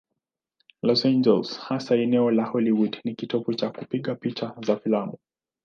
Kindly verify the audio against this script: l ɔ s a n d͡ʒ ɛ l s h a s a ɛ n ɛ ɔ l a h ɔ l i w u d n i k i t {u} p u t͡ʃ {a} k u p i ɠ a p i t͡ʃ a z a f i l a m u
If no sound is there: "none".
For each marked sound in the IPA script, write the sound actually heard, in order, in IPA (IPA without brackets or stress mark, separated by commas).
ɔ, a